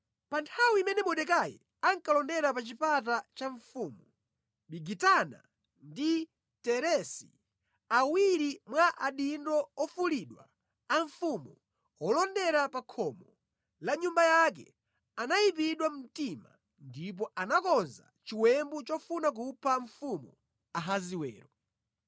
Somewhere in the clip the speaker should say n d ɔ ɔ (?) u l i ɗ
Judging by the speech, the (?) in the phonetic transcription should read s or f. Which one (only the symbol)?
f